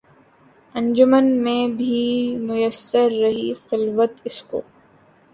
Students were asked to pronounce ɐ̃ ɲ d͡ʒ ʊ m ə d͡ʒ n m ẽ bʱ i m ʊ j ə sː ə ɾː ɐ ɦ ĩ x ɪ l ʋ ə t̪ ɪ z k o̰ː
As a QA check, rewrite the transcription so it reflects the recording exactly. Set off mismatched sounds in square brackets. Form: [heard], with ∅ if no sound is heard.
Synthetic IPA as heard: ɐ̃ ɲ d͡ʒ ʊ m ə [∅] n m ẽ bʱ i m ʊ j ə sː ə ɾː ɐ ɦ [i] x ɪ l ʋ ə t̪ ɪ [s] k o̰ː